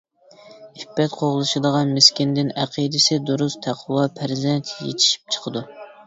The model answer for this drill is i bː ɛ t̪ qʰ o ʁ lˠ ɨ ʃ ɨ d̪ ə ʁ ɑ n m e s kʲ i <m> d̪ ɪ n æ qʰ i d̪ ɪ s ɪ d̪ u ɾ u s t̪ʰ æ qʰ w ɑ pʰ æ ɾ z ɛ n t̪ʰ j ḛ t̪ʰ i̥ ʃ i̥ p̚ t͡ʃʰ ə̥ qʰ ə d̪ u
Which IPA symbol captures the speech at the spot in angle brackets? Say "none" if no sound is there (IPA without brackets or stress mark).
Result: n